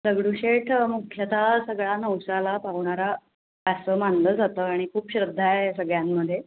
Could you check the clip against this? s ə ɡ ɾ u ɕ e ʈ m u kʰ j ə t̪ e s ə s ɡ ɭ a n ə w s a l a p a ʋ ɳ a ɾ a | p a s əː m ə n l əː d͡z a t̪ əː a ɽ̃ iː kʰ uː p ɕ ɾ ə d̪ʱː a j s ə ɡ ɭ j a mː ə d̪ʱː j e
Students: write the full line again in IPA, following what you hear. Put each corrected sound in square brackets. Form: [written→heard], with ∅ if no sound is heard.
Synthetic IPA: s ə ɡ [ɾ→ɽ] u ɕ e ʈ m u kʰ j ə t̪ [e→a] s ə [s→∅] ɡ ɭ a n ə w s a l a p a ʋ ɳ a ɾ a | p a s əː m [ə→a] n l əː d͡z a t̪ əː a ɽ̃ [iː→i] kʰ uː p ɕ ɾ ə d̪ʱː a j s ə ɡ ɭ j a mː ə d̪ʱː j e